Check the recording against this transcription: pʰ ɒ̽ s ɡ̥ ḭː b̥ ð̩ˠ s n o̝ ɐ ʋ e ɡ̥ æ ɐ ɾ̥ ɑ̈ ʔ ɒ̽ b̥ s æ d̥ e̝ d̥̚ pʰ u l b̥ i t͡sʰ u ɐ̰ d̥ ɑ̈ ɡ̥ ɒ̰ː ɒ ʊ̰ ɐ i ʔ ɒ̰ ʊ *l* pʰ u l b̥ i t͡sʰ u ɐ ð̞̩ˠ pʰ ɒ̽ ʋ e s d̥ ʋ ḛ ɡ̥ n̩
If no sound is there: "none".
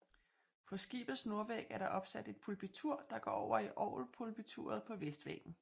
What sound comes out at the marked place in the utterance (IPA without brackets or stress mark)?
l